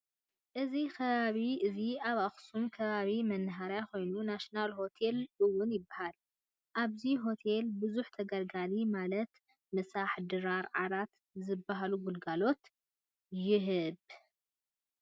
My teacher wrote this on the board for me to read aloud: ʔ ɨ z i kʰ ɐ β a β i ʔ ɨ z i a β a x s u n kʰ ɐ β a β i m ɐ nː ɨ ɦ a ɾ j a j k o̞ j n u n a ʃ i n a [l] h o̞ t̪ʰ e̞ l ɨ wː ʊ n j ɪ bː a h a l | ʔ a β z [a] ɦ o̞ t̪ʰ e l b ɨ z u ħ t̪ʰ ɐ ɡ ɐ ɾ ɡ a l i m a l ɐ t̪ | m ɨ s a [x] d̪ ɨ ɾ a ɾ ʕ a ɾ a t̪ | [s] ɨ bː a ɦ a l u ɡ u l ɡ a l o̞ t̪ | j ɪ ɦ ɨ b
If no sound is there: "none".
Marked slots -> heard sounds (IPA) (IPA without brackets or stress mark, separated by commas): l, i, ħ, z